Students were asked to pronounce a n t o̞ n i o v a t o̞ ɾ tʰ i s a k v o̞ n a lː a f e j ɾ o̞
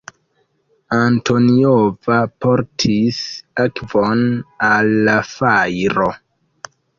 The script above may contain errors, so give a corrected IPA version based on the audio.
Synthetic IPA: a n t o̞ n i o v a p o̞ ɾ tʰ i s a k v o̞ n a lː a f a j ɾ o̞